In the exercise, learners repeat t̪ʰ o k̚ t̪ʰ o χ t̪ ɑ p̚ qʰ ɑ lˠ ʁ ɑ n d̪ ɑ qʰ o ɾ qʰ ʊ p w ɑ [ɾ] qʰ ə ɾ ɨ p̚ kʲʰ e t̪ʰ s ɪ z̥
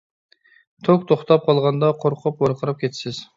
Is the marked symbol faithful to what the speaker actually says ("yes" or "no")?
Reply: yes